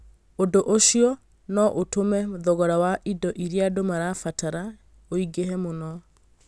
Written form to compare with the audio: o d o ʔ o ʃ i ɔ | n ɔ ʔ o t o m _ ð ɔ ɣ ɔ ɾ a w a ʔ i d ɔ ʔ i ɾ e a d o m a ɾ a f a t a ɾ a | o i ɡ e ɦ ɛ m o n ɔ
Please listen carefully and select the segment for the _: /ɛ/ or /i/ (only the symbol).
ɛ